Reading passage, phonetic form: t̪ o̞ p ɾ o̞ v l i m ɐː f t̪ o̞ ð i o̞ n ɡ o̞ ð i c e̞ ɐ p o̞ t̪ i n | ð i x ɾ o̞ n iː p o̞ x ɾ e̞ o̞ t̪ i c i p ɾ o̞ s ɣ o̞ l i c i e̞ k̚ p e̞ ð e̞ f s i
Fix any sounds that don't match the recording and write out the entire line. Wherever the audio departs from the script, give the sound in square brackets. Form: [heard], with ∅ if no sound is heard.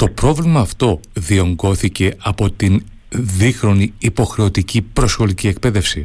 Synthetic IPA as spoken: t̪ o̞ p ɾ o̞ v l i m ɐː f t̪ o̞ ð i o̞ [ŋ] ɡ o̞ [θ] i c e̞ ɐ p o̞ t̪ i n | ð i x ɾ o̞ n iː p o̞ x ɾ e̞ o̞ t̪ i c i p ɾ o̞ s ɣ o̞ l i c i e̞ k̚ p e̞ ð e̞ f s i